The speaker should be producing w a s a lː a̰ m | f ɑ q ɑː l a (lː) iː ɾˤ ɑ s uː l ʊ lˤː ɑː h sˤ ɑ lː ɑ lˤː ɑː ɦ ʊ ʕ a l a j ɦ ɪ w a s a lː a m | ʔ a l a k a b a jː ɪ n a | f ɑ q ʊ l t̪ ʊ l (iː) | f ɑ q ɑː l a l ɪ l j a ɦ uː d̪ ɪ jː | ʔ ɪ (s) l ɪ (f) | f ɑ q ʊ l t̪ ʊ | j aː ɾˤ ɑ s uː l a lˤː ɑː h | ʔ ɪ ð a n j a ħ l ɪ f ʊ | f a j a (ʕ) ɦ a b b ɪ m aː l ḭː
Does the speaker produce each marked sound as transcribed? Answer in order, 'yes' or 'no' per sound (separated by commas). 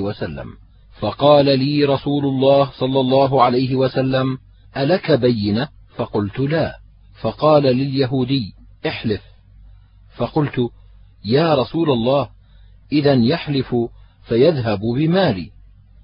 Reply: no, no, no, yes, no